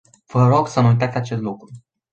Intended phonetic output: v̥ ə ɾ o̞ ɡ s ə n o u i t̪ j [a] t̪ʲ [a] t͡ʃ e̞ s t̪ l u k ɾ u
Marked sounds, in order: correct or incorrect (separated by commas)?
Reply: correct, correct